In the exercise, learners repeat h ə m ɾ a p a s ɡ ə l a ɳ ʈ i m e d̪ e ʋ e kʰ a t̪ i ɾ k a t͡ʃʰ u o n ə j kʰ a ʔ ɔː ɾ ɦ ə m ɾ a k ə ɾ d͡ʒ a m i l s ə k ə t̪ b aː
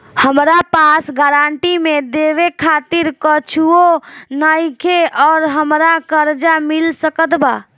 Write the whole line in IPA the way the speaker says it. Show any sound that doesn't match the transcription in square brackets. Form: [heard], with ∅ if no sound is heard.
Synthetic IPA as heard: h ə m ɾ a p a s ɡ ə [ɾ] a ɳ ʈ i m e d̪ e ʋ e kʰ a t̪ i ɾ k [ə] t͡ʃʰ u o n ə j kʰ [e] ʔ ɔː ɾ ɦ ə m ɾ a k ə ɾ d͡ʒ a m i l s ə k ə t̪ b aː